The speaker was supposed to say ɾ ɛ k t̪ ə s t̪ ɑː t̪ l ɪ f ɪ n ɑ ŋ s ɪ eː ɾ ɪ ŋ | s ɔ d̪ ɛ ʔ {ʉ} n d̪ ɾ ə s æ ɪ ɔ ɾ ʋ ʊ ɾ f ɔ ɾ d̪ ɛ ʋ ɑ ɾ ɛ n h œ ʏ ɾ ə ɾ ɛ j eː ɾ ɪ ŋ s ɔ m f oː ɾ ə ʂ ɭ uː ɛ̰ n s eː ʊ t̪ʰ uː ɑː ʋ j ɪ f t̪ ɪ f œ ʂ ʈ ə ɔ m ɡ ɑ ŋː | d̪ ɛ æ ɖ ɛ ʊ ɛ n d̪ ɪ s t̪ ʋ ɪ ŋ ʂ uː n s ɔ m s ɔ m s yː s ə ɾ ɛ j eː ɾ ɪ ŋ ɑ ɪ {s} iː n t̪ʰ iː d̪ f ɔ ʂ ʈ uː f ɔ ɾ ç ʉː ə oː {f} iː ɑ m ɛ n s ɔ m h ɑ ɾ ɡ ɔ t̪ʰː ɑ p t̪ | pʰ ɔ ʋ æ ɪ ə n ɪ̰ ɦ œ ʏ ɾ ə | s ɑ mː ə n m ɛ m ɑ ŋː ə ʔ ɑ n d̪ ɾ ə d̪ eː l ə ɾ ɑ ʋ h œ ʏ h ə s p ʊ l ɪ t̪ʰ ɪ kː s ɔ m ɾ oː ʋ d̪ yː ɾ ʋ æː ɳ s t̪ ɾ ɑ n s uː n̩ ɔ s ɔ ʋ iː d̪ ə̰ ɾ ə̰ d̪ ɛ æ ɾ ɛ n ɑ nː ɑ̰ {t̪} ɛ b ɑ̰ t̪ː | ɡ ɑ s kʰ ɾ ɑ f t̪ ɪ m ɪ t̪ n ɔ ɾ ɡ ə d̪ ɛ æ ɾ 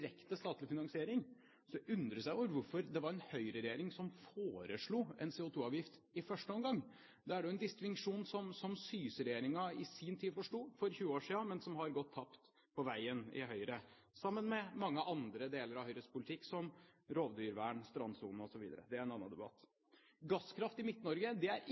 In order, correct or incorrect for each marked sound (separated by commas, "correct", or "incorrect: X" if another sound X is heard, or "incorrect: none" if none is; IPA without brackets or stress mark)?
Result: correct, correct, incorrect: ʂ, incorrect: d̪